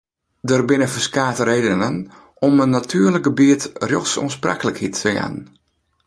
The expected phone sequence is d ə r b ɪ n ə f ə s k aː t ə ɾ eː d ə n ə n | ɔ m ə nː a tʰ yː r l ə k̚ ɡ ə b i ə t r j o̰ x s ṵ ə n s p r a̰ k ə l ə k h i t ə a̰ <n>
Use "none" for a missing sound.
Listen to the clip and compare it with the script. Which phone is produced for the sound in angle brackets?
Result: n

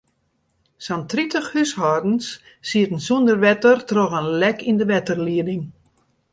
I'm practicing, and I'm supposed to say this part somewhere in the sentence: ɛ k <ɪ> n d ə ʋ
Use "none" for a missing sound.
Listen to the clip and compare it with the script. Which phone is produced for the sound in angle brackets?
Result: i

